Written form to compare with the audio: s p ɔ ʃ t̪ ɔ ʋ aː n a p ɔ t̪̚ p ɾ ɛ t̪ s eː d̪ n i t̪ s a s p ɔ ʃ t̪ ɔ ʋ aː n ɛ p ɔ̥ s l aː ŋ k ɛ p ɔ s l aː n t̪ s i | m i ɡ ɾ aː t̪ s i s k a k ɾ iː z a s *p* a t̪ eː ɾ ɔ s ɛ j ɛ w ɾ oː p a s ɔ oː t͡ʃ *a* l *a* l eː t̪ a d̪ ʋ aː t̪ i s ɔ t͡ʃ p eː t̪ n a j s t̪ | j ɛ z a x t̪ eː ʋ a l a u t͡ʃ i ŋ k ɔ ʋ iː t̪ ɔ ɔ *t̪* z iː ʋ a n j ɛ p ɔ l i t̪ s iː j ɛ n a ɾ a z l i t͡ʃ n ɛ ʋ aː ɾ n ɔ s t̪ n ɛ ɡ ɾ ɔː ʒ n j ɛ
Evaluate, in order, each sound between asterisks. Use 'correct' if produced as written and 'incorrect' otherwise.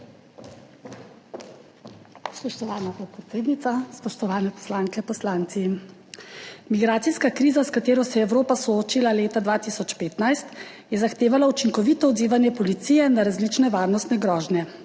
incorrect, incorrect, correct, incorrect

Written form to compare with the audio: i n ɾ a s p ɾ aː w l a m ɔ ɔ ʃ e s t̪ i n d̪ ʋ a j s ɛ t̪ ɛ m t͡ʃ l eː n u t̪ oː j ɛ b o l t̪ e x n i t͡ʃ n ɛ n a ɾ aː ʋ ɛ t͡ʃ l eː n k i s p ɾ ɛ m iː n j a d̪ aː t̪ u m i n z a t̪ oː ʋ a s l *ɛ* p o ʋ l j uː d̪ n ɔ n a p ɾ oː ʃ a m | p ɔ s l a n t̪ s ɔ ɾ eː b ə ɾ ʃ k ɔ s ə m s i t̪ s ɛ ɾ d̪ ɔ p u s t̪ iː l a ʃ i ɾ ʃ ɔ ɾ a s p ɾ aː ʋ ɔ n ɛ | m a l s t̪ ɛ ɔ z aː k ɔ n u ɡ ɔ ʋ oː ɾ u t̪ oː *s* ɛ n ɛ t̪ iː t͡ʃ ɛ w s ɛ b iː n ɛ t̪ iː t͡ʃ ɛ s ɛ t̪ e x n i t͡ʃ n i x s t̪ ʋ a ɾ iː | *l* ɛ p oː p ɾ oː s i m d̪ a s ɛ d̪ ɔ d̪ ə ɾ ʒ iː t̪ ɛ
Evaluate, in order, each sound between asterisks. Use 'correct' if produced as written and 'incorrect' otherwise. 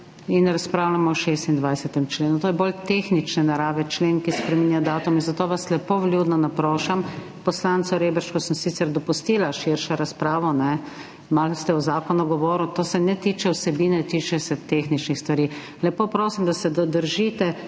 correct, correct, correct

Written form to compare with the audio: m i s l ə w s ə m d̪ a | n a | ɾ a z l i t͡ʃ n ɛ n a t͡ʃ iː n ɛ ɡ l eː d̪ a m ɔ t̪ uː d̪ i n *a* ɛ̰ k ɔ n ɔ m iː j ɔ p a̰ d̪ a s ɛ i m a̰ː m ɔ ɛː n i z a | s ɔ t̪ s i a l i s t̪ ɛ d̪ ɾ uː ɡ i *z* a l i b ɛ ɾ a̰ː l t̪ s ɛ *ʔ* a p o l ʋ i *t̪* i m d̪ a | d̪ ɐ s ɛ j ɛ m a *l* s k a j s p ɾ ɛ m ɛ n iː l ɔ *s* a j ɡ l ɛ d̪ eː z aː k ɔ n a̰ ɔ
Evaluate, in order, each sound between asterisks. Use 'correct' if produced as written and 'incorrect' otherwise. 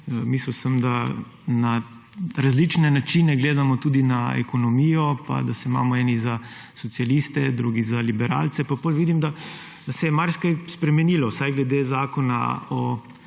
correct, correct, incorrect, incorrect, incorrect, correct

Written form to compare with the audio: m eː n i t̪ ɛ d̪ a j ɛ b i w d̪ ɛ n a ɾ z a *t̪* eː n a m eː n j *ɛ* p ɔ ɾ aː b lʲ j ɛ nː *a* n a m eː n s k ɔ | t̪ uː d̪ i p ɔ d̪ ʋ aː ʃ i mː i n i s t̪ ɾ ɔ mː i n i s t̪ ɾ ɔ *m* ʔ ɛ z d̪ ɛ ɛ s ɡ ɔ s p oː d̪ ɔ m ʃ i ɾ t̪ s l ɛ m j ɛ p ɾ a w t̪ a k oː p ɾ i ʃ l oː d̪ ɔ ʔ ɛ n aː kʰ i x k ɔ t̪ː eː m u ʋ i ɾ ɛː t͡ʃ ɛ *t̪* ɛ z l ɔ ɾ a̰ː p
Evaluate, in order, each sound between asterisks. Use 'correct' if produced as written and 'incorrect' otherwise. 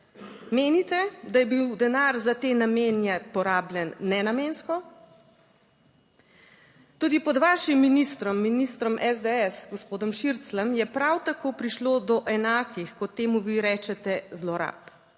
correct, correct, incorrect, correct, correct

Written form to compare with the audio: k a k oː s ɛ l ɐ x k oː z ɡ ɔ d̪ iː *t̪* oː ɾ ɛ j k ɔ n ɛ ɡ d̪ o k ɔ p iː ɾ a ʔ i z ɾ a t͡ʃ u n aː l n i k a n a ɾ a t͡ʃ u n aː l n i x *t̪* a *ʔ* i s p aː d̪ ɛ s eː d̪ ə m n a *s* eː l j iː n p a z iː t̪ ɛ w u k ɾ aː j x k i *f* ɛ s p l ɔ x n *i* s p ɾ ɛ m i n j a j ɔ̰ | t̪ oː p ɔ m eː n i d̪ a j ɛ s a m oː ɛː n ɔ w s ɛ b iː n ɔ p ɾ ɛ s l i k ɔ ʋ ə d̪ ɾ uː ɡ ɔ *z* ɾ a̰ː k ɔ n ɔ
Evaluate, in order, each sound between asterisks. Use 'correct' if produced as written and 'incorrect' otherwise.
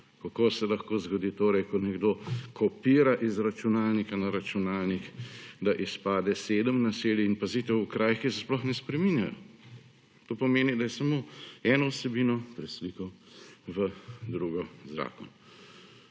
correct, incorrect, correct, correct, incorrect, incorrect, correct

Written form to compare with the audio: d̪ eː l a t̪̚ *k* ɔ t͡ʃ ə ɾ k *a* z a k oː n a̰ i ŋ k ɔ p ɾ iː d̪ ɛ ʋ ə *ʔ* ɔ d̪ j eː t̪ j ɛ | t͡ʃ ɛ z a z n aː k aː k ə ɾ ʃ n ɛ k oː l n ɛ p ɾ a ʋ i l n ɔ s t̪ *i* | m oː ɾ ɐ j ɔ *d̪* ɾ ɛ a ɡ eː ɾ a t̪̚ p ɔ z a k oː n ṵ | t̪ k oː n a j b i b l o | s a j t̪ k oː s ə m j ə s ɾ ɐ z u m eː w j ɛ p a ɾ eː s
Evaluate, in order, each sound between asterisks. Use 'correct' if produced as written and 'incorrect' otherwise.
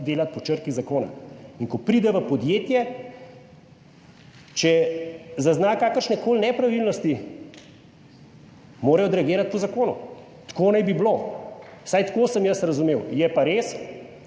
incorrect, incorrect, incorrect, correct, correct

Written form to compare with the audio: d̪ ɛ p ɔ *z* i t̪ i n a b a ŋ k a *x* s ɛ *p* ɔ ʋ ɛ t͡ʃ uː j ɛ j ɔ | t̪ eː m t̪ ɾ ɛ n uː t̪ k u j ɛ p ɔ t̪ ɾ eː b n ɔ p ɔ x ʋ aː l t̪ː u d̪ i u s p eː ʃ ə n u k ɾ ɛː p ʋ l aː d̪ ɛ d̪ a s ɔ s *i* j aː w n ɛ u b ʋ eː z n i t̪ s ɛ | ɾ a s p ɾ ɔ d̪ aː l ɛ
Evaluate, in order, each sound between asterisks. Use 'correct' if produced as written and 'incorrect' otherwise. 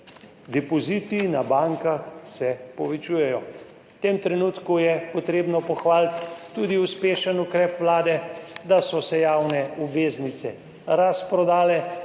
correct, correct, correct, incorrect

